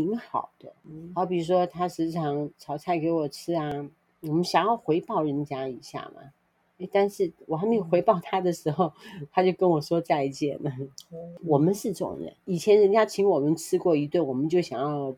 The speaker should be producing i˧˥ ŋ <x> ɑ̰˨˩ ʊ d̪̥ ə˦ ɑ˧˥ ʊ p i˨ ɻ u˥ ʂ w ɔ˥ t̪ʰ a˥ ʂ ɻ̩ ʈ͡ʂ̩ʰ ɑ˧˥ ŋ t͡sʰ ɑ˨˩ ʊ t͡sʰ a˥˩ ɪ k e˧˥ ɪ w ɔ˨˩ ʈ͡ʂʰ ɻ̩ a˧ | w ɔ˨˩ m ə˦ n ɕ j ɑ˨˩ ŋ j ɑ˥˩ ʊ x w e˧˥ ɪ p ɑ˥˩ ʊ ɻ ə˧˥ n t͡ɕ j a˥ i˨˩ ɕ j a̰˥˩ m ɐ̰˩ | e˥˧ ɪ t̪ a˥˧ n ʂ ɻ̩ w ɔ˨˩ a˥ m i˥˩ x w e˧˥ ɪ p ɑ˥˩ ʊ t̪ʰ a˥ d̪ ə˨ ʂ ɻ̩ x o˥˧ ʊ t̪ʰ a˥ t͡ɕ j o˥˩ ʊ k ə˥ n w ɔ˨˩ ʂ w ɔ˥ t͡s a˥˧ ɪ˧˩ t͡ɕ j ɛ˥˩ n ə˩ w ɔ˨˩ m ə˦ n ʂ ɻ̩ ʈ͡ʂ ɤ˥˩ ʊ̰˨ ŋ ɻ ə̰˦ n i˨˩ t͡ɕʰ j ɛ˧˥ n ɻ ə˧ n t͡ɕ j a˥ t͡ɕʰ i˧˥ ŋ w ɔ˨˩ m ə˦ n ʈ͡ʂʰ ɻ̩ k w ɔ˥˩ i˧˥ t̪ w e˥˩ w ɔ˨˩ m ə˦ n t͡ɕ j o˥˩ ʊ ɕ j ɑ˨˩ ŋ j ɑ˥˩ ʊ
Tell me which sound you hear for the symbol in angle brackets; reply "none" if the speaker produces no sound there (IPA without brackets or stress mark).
x